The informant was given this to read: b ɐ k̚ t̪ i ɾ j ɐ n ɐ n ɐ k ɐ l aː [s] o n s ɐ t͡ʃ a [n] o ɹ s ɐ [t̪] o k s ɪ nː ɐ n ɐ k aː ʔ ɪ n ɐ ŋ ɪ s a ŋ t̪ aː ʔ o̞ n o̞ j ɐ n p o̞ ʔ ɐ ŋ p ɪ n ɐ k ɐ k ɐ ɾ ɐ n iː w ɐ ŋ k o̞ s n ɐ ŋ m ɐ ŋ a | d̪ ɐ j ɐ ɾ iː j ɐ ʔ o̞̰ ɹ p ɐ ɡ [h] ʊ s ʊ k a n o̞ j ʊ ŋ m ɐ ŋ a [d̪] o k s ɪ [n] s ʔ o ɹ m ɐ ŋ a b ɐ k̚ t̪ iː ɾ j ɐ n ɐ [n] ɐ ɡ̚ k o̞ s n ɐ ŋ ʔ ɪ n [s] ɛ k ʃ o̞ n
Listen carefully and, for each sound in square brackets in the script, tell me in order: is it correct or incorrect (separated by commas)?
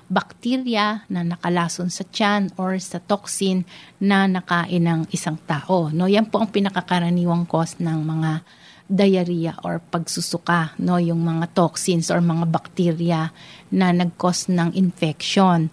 correct, correct, correct, incorrect, incorrect, correct, correct, incorrect